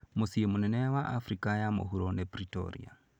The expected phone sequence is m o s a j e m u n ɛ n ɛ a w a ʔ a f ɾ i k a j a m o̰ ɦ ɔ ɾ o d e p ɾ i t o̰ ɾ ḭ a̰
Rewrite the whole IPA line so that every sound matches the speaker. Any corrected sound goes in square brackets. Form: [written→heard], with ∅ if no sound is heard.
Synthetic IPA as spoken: m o s [a→i] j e m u n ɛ n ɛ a w a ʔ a f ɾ i k a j a m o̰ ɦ [ɔ→u] ɾ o [d→n] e p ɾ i t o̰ ɾ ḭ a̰

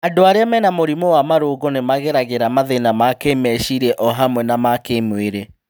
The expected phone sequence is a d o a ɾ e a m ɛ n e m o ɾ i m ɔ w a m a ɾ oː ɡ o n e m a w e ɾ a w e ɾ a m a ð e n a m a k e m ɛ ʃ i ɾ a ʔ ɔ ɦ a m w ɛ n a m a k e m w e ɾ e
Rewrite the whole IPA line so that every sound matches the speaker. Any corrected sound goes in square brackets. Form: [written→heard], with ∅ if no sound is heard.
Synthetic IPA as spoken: a d o a ɾ e a m ɛ n [e→a] m o ɾ i m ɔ w a m a ɾ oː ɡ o n e m a [w→ɣ] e ɾ a [w→ɣ] e ɾ a m a ð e n a m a k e m ɛ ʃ i ɾ [a→ɛ] ʔ ɔ ɦ a m w ɛ n a m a k e m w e ɾ e

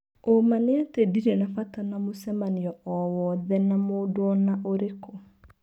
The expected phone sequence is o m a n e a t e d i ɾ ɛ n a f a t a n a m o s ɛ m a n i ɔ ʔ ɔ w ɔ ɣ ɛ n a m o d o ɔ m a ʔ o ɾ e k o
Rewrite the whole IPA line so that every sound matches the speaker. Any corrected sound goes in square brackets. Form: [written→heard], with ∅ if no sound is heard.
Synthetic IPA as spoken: o m a n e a t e d i ɾ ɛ n a f a t a n a m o s ɛ m a n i ɔ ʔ ɔ w ɔ [ɣ→ð] ɛ n a m o d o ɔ [m→n] a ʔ o ɾ e k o

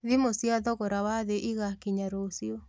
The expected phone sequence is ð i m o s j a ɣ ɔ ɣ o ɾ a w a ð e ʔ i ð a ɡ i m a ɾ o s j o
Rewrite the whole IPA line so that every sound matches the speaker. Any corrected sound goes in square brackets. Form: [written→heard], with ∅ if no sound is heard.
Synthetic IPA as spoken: ð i m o s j a [ɣ→ð] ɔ ɣ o ɾ a w a ð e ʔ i [ð→ɣ] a [ɡ→k] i [m→ɲ] a ɾ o s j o

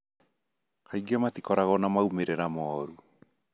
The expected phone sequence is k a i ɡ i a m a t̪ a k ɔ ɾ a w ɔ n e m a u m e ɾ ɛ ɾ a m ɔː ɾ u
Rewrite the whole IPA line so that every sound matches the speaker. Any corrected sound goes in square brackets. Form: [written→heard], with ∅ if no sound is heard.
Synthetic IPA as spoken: k a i ɡ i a m a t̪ [a→i] k ɔ ɾ a [w→ɣ] ɔ n [e→a] m a u m e ɾ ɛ ɾ a m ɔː ɾ u

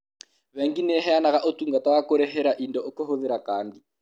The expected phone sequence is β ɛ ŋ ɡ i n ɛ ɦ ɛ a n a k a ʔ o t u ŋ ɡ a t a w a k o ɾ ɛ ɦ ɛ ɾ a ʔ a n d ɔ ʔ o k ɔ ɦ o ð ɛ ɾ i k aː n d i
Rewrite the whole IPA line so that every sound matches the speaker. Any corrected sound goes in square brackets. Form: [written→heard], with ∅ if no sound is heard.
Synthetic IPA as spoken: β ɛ ŋ ɡ i n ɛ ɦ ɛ a n a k a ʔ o t u ŋ ɡ a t a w a k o ɾ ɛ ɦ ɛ ɾ a ʔ [a→i] n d ɔ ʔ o k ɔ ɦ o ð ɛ ɾ [i→a] k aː n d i

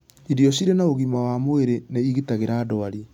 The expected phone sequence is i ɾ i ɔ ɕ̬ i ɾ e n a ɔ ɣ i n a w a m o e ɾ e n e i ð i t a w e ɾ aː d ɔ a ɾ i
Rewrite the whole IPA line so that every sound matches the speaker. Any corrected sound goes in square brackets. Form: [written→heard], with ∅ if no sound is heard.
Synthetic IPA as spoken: i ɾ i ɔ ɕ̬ i ɾ e n a [ɔ→o] ɣ i [n→m] a w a m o e ɾ e n e i [ð→ɣ] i t a [w→ɣ] e ɾ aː d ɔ a ɾ i

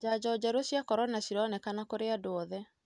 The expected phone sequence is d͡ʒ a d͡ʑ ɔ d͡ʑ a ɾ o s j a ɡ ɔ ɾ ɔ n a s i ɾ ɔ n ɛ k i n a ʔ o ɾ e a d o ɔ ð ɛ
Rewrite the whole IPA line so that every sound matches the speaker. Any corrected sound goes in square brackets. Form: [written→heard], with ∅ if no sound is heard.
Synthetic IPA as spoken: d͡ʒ a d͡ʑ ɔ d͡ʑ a ɾ o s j a [ɡ→k] ɔ ɾ ɔ n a s i ɾ ɔ n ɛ k [i→a] n a [ʔ→k] o ɾ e a d o ɔ ð ɛ

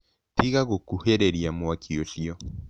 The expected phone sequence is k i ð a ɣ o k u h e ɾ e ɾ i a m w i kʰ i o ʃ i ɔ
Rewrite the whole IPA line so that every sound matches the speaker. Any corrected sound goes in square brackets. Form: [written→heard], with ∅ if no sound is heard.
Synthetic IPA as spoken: [k→t] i [ð→ɣ] a ɣ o k u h e ɾ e ɾ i a m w [i→a] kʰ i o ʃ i ɔ

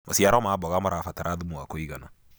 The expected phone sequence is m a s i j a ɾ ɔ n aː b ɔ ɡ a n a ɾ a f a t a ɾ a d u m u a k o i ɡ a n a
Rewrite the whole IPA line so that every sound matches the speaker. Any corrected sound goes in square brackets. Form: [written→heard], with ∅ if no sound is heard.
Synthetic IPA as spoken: m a s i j a ɾ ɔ [n→m] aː b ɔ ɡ a [n→m] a ɾ a f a t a ɾ a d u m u a k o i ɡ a n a

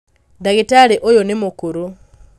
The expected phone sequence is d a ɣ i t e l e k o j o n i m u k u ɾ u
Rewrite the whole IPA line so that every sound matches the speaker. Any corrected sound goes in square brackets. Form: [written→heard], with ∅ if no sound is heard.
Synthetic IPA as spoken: d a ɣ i t [e→a] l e [k→ʔ] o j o n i m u k u ɾ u

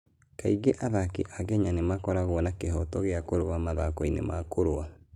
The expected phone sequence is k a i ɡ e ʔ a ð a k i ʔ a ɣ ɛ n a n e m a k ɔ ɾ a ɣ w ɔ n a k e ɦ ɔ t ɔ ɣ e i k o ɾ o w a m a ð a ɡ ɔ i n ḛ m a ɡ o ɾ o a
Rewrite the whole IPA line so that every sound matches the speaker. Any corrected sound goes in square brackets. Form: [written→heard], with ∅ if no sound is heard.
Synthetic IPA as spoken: k a i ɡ e ʔ a ð a k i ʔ a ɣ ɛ [n→ɲ] a n e m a k ɔ ɾ a ɣ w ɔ n a k e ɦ ɔ t ɔ ɣ e [i→a] k o ɾ o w a m a ð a [ɡ→k] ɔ i n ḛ m a [ɡ→k] o ɾ o a

